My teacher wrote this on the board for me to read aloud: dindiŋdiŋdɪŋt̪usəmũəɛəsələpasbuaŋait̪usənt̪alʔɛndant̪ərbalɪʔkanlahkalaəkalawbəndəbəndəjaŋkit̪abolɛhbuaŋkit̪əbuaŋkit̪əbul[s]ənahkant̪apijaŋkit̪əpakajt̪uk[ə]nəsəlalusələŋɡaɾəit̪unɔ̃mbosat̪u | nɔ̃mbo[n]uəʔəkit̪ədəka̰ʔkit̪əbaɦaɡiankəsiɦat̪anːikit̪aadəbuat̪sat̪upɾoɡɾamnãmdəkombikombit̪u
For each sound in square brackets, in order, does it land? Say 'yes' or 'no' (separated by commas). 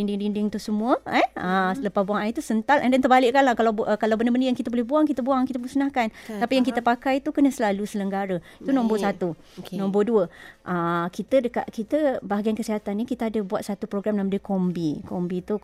yes, yes, no